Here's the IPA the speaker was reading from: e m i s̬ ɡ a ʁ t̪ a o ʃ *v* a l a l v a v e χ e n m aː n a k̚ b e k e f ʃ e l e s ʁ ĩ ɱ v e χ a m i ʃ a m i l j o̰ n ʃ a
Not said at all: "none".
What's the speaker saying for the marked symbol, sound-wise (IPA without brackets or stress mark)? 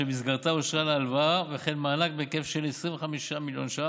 ʁ